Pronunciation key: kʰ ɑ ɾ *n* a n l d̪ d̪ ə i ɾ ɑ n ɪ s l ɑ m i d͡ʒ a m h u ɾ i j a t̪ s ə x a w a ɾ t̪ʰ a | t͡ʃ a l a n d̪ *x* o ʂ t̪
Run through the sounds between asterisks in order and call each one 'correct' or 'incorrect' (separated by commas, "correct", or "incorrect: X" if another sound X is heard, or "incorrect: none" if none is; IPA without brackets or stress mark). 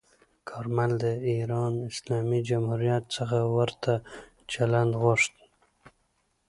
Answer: incorrect: m, incorrect: ɣ